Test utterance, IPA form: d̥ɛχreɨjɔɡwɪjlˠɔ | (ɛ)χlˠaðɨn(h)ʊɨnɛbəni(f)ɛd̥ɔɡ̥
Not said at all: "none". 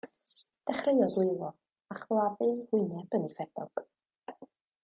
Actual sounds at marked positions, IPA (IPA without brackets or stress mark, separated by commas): a, h, f